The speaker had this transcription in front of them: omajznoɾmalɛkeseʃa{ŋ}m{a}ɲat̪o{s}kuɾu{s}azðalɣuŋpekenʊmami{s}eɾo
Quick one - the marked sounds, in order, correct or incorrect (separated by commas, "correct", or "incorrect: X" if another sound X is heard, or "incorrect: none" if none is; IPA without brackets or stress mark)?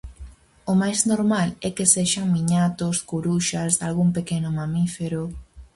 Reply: correct, incorrect: i, correct, incorrect: ʃ, incorrect: f